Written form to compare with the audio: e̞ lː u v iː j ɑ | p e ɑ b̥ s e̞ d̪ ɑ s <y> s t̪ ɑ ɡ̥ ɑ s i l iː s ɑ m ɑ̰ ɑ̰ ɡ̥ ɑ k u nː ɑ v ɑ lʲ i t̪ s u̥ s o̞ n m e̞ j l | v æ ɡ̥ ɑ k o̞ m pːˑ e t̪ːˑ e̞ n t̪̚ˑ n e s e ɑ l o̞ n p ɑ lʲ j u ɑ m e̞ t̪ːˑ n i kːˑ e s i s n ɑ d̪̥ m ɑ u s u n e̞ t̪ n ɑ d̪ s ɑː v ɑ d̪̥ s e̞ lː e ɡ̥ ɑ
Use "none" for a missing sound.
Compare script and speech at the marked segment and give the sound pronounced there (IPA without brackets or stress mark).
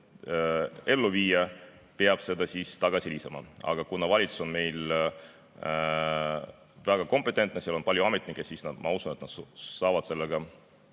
i